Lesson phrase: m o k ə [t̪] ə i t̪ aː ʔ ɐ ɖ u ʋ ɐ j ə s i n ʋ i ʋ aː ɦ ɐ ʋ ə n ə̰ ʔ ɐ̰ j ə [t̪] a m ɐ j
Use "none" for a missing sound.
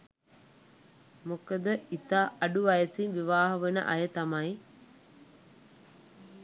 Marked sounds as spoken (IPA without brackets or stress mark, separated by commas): d̪, t̪